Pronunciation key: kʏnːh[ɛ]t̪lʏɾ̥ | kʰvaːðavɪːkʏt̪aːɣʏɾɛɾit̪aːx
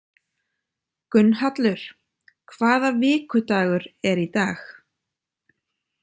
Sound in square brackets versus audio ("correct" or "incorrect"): incorrect